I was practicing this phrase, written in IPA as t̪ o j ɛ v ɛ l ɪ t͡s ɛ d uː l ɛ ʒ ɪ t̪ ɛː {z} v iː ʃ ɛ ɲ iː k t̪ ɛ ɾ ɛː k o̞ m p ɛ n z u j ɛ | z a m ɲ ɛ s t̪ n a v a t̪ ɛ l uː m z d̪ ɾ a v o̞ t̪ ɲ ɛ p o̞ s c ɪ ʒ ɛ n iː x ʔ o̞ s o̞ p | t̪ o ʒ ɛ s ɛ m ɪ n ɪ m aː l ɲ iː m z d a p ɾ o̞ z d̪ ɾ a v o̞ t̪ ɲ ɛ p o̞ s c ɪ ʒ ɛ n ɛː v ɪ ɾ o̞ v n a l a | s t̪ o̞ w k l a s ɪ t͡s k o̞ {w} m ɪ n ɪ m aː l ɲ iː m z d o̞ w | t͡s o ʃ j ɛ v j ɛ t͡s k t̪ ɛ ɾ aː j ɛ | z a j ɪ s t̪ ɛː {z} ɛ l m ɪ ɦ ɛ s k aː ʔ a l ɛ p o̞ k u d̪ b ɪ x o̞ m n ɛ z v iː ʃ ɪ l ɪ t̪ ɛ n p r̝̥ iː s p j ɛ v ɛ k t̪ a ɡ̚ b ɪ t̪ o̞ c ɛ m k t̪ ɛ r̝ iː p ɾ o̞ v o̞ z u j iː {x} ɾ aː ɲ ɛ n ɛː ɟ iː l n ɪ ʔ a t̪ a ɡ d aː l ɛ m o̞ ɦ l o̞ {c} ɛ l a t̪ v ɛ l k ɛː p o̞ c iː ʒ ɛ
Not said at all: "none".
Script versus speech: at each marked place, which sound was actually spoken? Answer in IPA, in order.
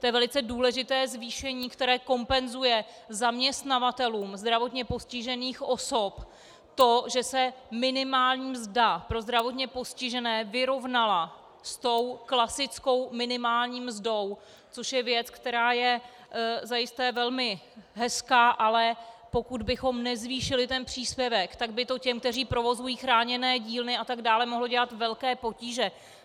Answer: z, w, v, x, ɟ

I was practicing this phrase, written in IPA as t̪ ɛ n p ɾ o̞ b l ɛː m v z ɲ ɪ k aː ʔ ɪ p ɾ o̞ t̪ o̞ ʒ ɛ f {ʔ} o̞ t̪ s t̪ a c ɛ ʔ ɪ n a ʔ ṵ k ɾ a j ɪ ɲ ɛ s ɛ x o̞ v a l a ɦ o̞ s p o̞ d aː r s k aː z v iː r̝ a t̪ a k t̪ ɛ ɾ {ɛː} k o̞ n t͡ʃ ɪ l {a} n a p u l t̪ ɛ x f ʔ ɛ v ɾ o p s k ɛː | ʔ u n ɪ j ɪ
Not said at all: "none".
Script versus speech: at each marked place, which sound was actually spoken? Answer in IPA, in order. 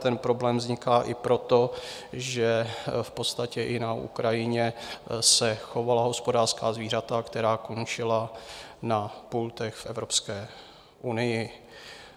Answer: p, aː, a

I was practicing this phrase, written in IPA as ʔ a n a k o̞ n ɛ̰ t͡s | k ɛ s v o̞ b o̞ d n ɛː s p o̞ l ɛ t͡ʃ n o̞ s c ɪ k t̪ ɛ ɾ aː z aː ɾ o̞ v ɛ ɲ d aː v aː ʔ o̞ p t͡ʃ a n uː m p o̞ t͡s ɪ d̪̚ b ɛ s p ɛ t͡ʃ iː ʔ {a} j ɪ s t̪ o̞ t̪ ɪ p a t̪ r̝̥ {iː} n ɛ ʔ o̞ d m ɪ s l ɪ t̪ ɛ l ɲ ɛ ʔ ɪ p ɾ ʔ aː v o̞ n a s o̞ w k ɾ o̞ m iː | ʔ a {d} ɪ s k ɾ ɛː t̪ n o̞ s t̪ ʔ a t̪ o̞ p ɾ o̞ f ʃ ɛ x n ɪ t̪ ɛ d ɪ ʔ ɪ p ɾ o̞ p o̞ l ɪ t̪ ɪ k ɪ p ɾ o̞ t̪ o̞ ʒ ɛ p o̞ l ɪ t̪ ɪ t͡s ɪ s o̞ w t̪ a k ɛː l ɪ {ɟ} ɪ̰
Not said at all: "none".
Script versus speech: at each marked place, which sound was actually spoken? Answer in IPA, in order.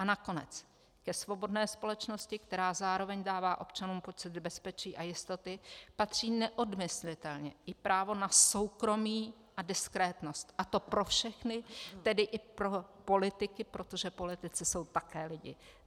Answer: a, iː, d, ɟ

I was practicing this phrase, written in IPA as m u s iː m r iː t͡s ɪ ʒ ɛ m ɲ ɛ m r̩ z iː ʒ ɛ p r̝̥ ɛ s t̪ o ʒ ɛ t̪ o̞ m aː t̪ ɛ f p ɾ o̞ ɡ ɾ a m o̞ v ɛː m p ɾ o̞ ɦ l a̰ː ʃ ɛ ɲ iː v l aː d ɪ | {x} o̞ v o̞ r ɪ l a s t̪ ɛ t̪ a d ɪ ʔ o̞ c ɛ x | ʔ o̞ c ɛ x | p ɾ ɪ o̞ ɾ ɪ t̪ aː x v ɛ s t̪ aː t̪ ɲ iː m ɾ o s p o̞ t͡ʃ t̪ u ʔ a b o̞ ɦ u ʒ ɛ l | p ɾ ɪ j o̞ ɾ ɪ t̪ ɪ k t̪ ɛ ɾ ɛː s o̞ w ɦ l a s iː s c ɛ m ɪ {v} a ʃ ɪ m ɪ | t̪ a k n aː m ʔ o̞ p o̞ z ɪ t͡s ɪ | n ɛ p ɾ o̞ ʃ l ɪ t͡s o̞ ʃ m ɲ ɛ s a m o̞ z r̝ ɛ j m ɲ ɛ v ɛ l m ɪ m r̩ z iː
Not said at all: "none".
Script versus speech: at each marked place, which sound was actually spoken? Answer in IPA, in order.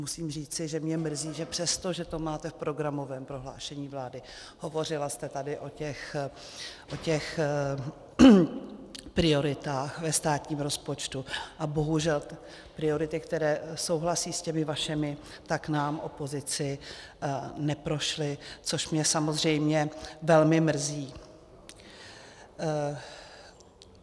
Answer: h, v

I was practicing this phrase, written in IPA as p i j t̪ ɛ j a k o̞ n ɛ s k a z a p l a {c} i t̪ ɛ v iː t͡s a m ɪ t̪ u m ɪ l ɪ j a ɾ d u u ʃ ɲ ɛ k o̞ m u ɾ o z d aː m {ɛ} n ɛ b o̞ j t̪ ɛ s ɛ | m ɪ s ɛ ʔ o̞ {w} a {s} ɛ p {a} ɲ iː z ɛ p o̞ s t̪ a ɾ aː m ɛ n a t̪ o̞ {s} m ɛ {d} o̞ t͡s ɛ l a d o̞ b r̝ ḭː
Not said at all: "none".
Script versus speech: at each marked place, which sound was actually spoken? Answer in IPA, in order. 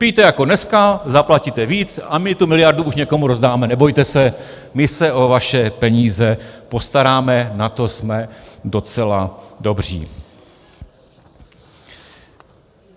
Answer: c, ɛ, v, ʃ, ɛ, s, d

